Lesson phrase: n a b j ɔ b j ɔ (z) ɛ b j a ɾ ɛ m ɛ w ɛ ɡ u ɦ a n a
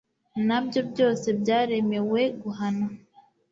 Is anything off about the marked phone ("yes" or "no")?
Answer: yes